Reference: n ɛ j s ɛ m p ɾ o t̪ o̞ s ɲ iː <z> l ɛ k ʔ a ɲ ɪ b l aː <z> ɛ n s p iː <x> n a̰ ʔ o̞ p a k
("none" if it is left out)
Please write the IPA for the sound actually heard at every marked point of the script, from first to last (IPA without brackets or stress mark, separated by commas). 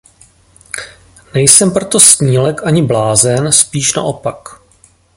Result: none, z, ʃ